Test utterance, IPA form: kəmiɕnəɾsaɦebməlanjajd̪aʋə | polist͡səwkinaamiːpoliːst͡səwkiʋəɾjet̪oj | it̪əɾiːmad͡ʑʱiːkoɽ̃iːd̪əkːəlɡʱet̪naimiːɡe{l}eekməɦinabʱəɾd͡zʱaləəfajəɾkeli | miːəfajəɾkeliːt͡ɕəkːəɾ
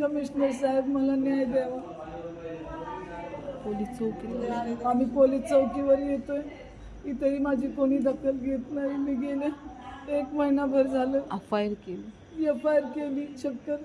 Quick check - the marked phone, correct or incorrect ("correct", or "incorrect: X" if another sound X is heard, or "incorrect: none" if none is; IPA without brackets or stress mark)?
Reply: correct